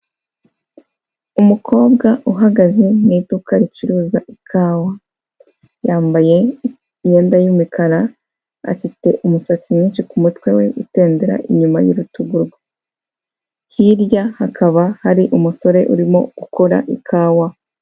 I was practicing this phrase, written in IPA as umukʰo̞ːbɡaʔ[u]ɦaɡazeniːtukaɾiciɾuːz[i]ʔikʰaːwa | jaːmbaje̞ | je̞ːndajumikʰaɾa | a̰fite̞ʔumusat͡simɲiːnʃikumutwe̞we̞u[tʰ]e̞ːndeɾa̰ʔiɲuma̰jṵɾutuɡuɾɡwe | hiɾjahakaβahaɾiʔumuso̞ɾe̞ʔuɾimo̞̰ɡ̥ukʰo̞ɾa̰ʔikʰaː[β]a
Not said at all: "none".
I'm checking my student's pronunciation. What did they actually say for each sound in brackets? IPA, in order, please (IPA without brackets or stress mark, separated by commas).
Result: u, a, t, w